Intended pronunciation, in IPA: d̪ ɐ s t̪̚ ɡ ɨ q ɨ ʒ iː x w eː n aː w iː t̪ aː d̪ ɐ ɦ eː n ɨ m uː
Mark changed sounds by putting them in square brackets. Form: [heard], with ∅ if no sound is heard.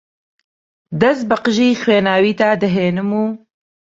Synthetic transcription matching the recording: d̪ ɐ s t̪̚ [b] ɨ q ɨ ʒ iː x w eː n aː w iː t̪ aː d̪ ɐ ɦ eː n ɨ m uː